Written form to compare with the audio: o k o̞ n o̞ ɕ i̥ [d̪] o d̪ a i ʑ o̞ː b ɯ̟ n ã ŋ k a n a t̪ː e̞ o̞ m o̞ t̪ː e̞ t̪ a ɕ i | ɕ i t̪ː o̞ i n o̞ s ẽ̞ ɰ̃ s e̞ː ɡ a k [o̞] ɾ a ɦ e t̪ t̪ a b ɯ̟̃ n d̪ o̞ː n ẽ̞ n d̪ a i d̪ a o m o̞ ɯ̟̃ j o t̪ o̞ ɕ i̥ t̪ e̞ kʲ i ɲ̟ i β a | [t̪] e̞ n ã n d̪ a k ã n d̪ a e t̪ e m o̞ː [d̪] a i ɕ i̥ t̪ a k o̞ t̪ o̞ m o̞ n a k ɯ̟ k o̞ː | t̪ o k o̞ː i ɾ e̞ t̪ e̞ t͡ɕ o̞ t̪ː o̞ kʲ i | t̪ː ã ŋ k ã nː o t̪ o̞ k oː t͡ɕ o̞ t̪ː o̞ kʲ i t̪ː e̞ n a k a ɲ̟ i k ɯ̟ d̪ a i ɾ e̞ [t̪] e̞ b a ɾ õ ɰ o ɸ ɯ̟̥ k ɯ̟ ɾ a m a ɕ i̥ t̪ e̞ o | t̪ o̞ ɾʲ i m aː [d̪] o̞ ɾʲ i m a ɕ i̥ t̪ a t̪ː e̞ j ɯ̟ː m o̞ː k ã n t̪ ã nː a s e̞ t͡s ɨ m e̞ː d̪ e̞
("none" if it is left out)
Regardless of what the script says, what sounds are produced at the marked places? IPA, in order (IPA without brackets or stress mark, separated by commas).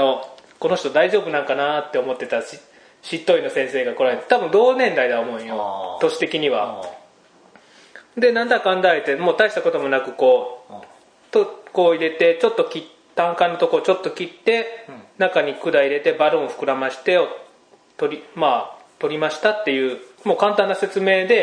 t̪, o̞, d̪, t̪, t̪, t̪